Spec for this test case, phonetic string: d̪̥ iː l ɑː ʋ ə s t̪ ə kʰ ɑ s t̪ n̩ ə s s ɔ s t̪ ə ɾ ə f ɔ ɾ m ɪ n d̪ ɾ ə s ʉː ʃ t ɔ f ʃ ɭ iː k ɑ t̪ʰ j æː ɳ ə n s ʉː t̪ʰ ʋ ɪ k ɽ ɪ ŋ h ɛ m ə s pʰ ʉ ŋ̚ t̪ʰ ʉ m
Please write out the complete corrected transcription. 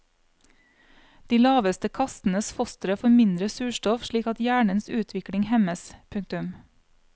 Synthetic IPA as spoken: d̪̥ iː l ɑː ʋ ə s t̪ ə kʰ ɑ s t̪ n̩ ə s f ɔ s t̪ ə ɾ ə f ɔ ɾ m ɪ n d̪ ɾ ə s ʉː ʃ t ɔ f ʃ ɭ iː k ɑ t̪ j æː ɳ ə n s ʉː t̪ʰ ʋ ɪ k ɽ ɪ ŋ h ɛ m ə s pʰ ʉ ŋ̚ t̪ ʉ m